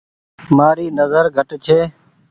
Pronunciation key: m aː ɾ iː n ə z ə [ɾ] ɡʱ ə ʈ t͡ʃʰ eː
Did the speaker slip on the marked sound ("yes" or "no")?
no